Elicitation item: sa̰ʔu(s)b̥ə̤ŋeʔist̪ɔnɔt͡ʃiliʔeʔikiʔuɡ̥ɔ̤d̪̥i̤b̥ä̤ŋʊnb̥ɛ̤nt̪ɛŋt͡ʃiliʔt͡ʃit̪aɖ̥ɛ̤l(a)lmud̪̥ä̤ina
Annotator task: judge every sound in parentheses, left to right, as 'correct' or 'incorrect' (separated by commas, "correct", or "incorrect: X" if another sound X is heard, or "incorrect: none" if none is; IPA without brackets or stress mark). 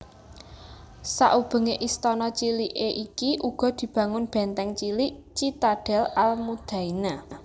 incorrect: none, correct